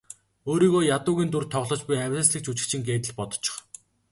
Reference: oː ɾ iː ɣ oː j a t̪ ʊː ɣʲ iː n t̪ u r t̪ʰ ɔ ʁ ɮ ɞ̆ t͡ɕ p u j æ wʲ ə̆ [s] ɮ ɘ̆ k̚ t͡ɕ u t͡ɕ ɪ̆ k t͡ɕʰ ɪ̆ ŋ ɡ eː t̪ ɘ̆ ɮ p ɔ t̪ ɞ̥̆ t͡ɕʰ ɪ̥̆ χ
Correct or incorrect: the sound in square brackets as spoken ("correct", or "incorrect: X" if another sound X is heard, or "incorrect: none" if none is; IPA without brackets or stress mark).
correct